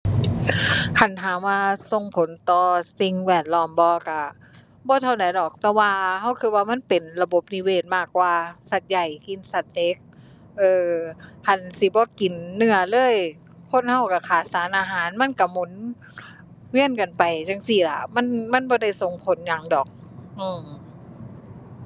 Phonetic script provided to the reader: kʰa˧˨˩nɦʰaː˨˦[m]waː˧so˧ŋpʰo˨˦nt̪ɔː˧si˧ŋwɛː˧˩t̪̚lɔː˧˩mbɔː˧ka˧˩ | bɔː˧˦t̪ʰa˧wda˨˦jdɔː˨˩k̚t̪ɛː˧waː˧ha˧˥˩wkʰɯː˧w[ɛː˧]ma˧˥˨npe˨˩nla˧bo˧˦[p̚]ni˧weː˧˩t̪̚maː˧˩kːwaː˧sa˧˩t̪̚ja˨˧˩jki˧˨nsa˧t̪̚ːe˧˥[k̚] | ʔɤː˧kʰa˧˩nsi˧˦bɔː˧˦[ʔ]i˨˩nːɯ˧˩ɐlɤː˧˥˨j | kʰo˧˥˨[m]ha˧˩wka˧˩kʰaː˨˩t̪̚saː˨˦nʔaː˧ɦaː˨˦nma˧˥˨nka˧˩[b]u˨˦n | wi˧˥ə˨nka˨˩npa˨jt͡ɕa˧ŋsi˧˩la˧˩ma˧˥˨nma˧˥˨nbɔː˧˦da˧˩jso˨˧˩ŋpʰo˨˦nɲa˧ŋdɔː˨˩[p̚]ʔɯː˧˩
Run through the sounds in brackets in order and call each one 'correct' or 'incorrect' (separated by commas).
correct, incorrect, correct, correct, incorrect, incorrect, incorrect, incorrect